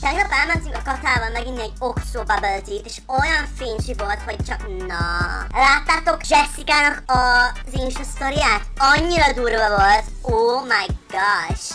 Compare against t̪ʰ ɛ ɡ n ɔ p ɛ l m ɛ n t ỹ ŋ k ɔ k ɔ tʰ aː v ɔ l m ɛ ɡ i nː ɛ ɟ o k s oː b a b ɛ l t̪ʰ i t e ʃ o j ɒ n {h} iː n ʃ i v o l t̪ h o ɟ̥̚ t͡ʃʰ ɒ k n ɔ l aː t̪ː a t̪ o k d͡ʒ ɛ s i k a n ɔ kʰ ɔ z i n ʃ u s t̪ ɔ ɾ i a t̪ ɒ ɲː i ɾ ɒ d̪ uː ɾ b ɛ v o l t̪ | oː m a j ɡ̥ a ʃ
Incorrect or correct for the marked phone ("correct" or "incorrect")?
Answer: incorrect